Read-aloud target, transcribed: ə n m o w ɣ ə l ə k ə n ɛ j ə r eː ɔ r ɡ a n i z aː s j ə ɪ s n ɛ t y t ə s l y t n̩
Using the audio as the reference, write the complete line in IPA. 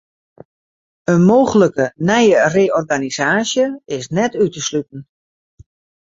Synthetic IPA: ə n m o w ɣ ə l ə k ə n ɛ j ə r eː ɔ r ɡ a n i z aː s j ə ɪ s n ɛ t y t ə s l y t n̩